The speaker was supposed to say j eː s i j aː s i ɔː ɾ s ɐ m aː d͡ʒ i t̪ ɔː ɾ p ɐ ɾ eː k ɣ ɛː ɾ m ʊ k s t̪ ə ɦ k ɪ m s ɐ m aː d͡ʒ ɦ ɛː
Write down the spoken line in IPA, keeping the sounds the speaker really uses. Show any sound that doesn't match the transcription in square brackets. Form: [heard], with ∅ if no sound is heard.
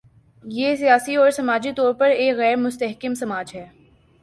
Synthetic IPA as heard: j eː s i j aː s i ɔː ɾ s ɐ m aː d͡ʒ i t̪ ɔː ɾ p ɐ ɾ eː k ɣ ɛː ɾ m ʊ [∅] s t̪ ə ɦ k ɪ m s ɐ m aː d͡ʒ ɦ ɛː